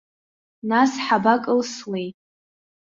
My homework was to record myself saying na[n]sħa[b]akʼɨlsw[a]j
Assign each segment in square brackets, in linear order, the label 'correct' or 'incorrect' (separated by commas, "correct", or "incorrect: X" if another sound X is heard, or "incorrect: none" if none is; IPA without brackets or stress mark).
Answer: incorrect: none, correct, incorrect: e